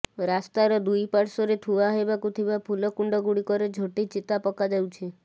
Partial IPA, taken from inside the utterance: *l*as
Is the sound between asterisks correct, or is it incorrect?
incorrect